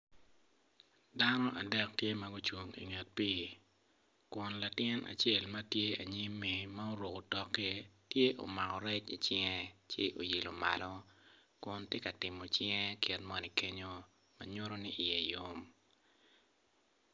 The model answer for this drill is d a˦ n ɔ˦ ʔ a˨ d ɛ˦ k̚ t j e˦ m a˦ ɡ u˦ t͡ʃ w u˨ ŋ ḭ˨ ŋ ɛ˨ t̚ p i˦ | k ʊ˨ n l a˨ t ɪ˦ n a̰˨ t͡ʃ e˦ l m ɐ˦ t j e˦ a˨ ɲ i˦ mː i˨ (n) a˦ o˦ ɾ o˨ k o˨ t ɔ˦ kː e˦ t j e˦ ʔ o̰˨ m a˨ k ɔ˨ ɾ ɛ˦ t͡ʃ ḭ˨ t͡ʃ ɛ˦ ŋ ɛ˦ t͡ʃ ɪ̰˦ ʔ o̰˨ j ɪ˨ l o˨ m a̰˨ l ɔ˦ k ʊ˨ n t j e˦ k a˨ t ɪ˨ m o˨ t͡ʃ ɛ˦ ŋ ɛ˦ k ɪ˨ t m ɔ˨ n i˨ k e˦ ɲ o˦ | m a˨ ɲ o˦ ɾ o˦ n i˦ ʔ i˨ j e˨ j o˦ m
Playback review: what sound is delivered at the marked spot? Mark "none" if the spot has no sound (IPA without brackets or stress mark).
m